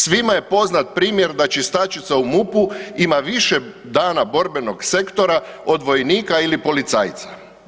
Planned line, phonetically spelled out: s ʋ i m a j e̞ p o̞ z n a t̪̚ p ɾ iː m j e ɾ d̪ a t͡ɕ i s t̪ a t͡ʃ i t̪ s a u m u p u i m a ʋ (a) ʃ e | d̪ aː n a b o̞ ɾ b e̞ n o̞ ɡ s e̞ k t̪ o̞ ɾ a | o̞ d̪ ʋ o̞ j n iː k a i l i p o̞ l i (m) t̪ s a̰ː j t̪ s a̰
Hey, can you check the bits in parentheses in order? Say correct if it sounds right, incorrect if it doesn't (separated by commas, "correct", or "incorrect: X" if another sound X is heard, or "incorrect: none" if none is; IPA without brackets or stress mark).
incorrect: i, incorrect: none